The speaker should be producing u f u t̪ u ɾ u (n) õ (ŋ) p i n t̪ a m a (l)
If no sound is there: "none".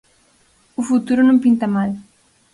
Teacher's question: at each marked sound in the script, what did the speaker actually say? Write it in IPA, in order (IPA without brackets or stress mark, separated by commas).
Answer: n, m, l